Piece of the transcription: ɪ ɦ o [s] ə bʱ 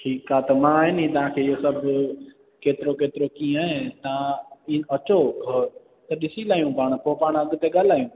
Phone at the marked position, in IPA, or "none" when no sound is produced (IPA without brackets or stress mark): s